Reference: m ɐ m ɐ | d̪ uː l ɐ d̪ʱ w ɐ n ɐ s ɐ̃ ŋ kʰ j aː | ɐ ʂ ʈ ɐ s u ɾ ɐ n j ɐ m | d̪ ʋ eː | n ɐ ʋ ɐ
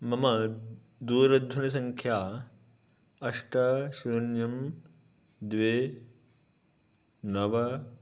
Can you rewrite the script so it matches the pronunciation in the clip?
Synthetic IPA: m ɐ m ɐ | d̪ uː ɾ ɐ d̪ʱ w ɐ n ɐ s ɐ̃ ŋ kʰ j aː | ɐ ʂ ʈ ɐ ʃ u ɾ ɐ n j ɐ m | d̪ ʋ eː | n ɐ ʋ ɐ